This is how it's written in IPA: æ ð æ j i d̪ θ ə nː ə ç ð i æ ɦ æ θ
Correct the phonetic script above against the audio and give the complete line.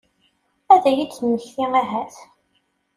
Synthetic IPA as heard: æ ð æ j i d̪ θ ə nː ə ç θ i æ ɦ æ θ